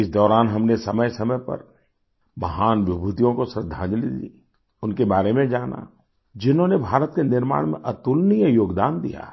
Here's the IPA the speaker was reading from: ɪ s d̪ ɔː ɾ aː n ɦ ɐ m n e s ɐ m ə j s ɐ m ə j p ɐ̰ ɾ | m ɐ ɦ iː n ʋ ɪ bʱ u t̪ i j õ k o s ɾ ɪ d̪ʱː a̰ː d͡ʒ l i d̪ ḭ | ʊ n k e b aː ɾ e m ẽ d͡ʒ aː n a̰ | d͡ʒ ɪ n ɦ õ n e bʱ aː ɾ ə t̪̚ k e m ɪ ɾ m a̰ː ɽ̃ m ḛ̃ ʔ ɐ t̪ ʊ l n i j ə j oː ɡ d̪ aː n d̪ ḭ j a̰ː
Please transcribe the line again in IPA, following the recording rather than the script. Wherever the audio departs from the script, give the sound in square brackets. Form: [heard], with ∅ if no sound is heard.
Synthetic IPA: ɪ s d̪ ɔː ɾ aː n ɦ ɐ m n e s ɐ m ə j s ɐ m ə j p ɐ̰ ɾ | m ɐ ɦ [aː] n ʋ ɪ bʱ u t̪ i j õ k o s ɾ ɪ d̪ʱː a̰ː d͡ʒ l i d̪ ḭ | ʊ n k e b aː ɾ e m ẽ d͡ʒ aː n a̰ | d͡ʒ ɪ n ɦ õ n e bʱ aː ɾ ə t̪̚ k e [n] ɪ ɾ m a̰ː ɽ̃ m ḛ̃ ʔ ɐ t̪ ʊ l n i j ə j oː ɡ d̪ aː n d̪ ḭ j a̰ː